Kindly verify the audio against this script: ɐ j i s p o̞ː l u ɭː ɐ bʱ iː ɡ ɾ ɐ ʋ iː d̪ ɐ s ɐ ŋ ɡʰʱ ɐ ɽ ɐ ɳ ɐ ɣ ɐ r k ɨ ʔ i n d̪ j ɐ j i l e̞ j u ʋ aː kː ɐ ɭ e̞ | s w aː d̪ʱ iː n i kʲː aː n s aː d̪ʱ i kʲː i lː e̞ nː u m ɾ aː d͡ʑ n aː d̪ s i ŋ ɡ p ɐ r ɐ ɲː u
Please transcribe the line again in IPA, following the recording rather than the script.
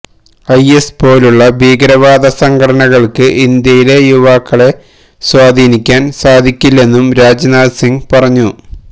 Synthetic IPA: ɐ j e s p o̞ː l u ɭː ɐ bʱ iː ɡ ɾ ɐ ʋ aː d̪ ɐ s ɐ ŋ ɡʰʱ ɐ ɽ ɐ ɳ ɐ ɣ ɐ ɭ k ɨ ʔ i n d̪ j ɐ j i l e̞ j u ʋ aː kː ɐ ɭ e̞ | s w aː d̪ʱ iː n i kʲː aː n s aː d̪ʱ i kʲː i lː e̞ nː u m ɾ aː d͡ʑ n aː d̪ s i ŋ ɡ p ɐ r ɐ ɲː u

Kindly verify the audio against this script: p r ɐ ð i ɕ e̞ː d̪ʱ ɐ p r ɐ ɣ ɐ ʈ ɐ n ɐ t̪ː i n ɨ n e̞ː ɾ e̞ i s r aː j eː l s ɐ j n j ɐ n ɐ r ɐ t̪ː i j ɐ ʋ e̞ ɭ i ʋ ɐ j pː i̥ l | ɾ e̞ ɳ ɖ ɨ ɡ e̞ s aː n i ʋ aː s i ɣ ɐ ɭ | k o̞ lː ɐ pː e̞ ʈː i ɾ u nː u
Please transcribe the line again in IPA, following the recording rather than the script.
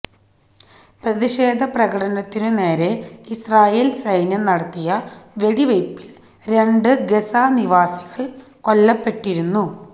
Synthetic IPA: p r ɐ ð i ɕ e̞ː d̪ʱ ɐ p r ɐ ɣ ɐ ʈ ɐ n ɐ t̪ː i n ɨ n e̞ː ɾ e̞ i s r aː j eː l s ɐ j n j ɐ n ɐ ɽ ɐ t̪ː i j ɐ ʋ e̞ ɽ i ʋ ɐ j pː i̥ l | ɾ e̞ ɳ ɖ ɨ ɡ e̞ s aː n i ʋ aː s i ɣ ɐ ɭ | k o̞ lː ɐ pː e̞ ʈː i ɾ u nː u

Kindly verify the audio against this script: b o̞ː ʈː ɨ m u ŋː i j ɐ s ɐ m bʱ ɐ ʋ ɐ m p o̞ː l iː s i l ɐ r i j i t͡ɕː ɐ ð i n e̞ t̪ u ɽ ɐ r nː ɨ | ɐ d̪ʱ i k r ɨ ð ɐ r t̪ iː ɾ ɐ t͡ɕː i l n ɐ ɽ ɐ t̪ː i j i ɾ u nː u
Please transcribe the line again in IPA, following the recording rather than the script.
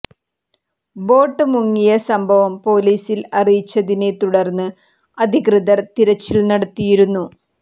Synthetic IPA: b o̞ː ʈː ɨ m u ŋː i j ɐ s ɐ m bʱ ɐ ʋ ɐ m p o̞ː l iː s i l ɐ r i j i t͡ɕː ɐ ð i n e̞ t̪ u ɽ ɐ r nː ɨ | ɐ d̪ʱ i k r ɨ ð ɐ r t̪ i ɾ ɐ t͡ɕː i l n ɐ ɽ ɐ t̪ː i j i ɾ u nː u

